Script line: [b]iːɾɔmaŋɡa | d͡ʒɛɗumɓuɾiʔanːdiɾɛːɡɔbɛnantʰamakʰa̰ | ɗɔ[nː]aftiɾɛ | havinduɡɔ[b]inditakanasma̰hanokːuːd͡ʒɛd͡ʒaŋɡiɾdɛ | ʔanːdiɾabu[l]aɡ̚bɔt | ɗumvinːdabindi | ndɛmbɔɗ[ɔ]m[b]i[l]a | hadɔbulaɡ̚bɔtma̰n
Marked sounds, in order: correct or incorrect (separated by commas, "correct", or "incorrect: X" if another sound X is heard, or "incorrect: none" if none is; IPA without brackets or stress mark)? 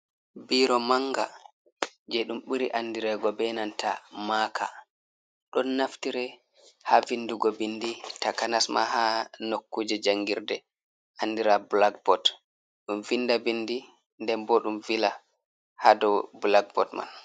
correct, correct, correct, correct, incorrect: u, incorrect: v, correct